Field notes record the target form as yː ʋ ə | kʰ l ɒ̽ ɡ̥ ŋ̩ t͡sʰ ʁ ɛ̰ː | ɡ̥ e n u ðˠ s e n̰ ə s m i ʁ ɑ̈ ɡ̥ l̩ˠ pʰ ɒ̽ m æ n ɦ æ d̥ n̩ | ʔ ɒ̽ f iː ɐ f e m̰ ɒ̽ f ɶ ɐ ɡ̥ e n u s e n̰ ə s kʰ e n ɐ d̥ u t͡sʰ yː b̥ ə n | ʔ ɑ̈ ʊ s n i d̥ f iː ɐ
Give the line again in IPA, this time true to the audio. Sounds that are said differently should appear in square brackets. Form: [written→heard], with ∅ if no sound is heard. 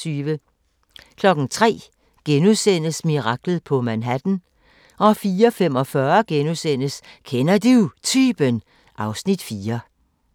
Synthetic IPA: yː ʋ ə | kʰ l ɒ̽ ɡ̥ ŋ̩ t͡sʰ ʁ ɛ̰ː | ɡ̥ e n u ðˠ s e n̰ ə s m i ʁ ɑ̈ ɡ̥ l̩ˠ pʰ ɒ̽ m æ n ɦ æ d̥ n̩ | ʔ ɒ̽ f iː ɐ f e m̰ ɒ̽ f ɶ ɐ ɡ̥ e n u s e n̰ ə s kʰ e n ɐ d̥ u t͡sʰ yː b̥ ə n | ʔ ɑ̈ ʊ s n i d̥ f iː ɐ